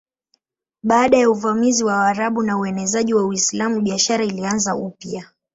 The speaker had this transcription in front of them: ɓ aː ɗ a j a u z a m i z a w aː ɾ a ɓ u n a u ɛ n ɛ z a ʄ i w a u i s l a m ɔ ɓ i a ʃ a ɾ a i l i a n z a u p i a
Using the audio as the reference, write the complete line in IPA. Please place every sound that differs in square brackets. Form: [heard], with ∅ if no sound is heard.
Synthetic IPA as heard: ɓ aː ɗ a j a u [v] a m i z [i] w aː ɾ a ɓ u n a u ɛ n ɛ z a ʄ i w a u i s l a m [u] ɓ i a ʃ a ɾ a i l i a n z a u p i a